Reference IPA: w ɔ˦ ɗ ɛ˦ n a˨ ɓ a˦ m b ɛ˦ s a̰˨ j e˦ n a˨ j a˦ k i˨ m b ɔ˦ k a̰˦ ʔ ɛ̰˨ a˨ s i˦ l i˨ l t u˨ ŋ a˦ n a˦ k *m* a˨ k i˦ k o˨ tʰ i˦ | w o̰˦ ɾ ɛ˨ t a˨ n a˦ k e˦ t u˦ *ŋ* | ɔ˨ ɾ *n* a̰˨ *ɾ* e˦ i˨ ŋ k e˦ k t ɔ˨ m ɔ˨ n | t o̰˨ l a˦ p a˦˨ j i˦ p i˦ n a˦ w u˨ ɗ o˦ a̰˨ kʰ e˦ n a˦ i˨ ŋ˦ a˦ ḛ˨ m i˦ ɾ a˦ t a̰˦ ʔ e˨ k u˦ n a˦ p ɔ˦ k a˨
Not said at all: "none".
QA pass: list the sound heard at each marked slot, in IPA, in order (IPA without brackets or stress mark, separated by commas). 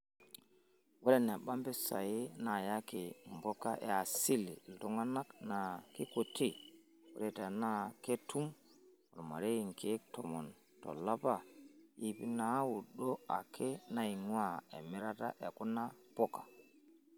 n, m, m, ɾ